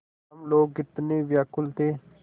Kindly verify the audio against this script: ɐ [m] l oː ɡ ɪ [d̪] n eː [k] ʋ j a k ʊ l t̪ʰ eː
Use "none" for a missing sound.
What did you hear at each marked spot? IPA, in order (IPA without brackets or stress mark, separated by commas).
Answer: m, t̪, none